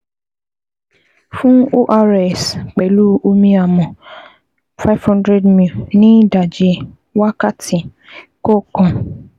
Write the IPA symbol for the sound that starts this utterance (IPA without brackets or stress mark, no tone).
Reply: f